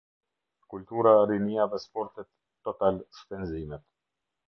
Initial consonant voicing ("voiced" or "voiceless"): voiceless